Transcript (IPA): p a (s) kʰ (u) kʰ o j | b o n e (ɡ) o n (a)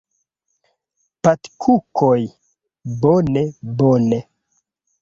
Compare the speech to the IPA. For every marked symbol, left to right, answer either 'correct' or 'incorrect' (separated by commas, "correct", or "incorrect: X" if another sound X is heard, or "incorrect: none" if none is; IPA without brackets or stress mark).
incorrect: t, correct, incorrect: b, incorrect: e